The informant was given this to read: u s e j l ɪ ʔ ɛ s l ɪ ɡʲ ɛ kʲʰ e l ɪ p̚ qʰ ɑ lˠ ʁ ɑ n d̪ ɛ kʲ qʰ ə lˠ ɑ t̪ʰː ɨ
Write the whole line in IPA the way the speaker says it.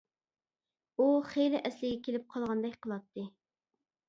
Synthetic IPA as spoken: u χ e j l ɪ ʔ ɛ s l ɪ ɡʲ ɛ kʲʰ e l ɪ p̚ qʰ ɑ lˠ ʁ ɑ n d̪ ɛ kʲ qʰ ə lˠ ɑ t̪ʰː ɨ